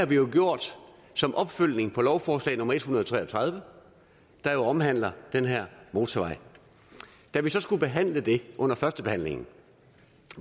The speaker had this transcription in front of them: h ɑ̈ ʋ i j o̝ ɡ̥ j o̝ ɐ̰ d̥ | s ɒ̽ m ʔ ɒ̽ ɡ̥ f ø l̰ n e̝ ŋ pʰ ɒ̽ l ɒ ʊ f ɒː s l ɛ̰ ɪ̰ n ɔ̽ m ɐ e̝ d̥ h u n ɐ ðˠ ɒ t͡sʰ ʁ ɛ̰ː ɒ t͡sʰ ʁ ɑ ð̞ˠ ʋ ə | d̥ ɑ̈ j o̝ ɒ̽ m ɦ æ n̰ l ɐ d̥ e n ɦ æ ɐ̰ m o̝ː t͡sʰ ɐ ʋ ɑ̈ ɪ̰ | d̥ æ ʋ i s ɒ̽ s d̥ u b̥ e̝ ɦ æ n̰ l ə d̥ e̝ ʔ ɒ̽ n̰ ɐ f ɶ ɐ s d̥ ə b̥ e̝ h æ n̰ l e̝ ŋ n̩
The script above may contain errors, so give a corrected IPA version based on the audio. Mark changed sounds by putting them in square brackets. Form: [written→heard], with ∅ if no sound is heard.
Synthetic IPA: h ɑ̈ ʋ i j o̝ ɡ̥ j o̝ ɐ̰ d̥ | s ɒ̽ m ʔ ɒ̽ [ɡ̥→b̥] f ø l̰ n e̝ ŋ pʰ ɒ̽ l ɒ ʊ f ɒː s l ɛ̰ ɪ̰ n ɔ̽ m ɐ e̝ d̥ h u n ɐ ðˠ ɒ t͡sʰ ʁ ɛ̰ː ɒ t͡sʰ ʁ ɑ ð̞ˠ ʋ ə | d̥ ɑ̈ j o̝ ɒ̽ m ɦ æ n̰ l ɐ d̥ e n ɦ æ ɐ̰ m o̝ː t͡sʰ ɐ ʋ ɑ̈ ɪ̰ | d̥ æ ʋ i s ɒ̽ s [d̥→ɡ̥] u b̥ e̝ ɦ æ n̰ l ə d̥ e̝ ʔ [ɒ̽→ɔ̽] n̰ ɐ f ɶ ɐ s d̥ ə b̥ e̝ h æ n̰ l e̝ ŋ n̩